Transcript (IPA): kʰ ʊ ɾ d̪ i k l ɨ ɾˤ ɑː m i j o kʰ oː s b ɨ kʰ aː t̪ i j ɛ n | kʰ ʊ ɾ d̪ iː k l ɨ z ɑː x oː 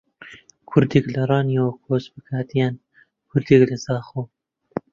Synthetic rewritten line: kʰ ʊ ɾ d̪ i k l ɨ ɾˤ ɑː n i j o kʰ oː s b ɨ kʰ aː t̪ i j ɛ n | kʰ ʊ ɾ d̪ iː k l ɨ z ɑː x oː